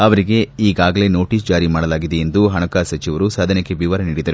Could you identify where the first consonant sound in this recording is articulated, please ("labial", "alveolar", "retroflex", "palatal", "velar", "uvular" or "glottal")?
labial